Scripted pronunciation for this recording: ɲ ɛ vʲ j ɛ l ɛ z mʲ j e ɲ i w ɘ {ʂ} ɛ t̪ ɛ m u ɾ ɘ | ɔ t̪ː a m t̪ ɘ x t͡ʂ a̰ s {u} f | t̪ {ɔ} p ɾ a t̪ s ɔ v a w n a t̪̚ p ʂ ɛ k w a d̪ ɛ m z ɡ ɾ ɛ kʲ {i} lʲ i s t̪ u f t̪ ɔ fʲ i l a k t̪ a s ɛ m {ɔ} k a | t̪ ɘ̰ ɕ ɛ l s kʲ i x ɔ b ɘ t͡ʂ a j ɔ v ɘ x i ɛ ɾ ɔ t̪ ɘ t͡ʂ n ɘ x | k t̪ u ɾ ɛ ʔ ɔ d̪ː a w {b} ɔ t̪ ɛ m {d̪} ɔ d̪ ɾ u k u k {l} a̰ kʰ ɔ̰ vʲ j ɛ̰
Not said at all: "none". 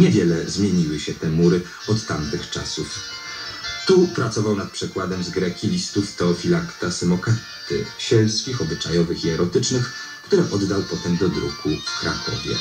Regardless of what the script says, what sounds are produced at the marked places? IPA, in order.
ɕ, u, u, i, ɔ, p, d̪, ɾ

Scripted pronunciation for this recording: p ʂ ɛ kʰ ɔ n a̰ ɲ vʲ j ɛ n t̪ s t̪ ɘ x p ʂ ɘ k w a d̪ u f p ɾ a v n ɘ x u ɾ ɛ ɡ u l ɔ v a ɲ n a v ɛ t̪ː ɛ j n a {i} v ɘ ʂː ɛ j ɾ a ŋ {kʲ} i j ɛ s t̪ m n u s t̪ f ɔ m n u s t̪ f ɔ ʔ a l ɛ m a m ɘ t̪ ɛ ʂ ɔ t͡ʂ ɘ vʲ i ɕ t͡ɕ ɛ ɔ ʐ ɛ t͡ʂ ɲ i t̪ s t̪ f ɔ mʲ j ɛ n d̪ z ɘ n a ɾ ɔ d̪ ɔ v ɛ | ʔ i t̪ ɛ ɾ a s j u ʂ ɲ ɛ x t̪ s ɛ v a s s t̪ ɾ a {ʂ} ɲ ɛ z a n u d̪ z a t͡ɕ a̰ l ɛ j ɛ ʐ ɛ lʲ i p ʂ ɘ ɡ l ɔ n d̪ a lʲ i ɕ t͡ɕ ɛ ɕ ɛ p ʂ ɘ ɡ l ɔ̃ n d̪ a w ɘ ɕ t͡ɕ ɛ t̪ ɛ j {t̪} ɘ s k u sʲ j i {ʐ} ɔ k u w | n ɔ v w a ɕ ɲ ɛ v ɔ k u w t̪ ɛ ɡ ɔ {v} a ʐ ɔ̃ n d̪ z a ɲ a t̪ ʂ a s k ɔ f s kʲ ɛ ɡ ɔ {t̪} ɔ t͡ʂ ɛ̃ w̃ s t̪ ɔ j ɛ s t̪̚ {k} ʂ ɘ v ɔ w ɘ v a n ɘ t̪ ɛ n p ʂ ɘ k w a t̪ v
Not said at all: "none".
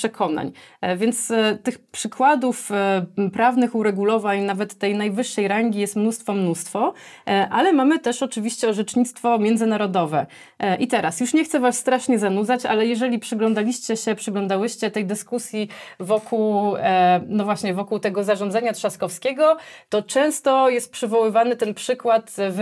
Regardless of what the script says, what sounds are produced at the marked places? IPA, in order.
j, ɡʲ, ʂ, d̪, v, z, t̪, p

